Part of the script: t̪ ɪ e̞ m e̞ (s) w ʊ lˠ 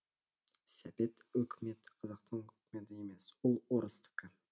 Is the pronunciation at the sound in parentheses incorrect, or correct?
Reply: correct